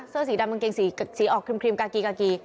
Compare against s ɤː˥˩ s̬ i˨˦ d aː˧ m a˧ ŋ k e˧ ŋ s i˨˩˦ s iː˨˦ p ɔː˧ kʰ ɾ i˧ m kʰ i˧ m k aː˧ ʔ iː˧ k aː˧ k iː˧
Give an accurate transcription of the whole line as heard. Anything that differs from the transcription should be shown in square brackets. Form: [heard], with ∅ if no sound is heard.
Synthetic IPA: s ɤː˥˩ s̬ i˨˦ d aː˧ m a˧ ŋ k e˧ ŋ s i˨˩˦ s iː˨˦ [ʔ] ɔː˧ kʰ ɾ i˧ m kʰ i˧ m k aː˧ [k] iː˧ k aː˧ k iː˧